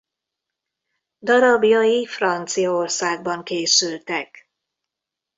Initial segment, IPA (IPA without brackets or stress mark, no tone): d̪